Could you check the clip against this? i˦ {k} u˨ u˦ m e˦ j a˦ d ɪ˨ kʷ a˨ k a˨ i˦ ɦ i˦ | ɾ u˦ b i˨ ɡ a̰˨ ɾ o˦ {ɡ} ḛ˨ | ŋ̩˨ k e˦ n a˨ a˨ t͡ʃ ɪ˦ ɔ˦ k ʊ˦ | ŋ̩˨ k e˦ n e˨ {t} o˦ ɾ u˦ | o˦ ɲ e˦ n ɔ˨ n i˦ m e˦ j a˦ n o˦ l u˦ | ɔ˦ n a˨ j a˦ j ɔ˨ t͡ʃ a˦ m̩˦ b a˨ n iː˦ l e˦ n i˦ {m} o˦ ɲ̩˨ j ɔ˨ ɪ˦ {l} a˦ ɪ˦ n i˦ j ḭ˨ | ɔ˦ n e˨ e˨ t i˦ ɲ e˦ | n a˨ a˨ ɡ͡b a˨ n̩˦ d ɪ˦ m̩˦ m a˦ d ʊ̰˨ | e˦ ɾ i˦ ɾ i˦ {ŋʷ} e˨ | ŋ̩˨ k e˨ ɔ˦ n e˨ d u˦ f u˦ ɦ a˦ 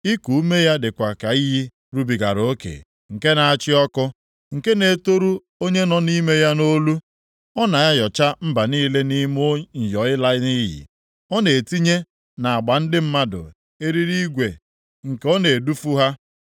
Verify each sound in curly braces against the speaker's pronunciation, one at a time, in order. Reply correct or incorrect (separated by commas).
correct, incorrect, correct, correct, correct, incorrect